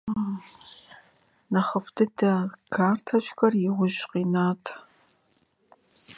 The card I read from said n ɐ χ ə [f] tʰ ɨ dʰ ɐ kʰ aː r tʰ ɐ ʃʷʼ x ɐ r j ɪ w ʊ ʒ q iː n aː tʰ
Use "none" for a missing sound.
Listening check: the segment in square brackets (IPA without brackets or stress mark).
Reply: f